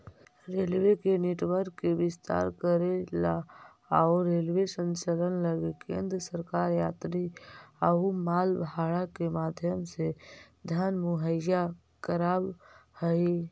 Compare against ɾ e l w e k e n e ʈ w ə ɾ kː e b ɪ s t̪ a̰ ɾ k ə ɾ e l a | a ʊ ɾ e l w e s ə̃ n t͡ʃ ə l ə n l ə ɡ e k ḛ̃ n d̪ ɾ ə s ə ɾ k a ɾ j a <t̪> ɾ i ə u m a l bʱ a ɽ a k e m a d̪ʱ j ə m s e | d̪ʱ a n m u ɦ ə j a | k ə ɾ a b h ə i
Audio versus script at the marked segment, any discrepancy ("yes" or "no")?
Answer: no